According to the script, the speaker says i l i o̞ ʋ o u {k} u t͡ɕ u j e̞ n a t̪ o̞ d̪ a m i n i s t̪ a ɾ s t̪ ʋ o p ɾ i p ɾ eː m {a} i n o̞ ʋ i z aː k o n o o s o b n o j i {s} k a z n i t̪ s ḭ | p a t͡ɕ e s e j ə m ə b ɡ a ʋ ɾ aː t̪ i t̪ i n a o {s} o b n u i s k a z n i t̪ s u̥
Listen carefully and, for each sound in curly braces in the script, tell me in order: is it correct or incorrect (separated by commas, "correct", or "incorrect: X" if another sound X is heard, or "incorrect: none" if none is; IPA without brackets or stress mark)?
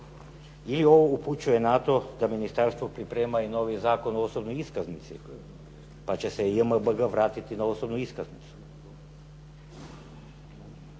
incorrect: p, correct, correct, correct